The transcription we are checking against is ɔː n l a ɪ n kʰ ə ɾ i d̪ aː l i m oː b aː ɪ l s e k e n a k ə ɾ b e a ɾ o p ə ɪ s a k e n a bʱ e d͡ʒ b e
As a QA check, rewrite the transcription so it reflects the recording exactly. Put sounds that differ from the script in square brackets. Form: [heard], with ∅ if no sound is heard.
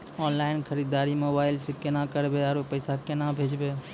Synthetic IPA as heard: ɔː n l a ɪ n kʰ ə ɾ i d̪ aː [ɾ] i m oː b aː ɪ l s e k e n a k ə ɾ b e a ɾ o p ə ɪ s a k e n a bʱ e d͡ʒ b e